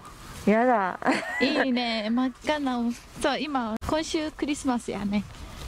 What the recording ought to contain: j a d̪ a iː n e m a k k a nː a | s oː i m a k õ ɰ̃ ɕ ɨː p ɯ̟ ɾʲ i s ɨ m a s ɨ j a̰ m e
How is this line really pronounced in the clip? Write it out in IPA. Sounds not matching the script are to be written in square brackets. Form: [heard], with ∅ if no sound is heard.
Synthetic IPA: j a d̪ a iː n e m a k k a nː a | s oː i m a k õ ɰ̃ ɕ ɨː [k] ɯ̟ ɾʲ i s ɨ m a s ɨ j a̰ [n] e